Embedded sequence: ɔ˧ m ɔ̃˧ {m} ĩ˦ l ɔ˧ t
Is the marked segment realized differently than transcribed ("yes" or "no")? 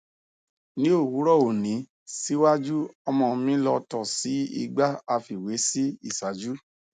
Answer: no